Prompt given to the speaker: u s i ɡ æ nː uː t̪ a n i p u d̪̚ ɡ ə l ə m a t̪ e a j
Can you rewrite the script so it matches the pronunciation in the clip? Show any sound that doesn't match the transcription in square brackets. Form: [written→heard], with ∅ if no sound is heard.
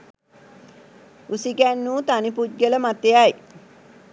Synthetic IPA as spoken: u s i ɡ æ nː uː t̪ a n i p u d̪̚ ɡ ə l ə m a t̪ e a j